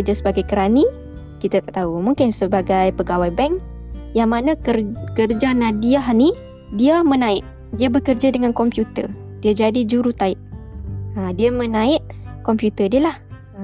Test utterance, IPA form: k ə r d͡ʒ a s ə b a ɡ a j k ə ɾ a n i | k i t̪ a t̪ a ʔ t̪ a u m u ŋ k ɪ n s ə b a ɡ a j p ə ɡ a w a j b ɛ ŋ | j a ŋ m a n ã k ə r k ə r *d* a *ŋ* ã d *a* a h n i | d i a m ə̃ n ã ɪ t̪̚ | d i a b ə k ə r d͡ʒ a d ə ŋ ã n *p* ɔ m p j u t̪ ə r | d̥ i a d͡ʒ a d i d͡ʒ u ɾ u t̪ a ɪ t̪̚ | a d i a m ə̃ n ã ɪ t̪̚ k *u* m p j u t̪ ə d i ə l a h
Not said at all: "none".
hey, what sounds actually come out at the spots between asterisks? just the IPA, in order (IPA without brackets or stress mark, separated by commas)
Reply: d͡ʒ, n, i, k, ɔ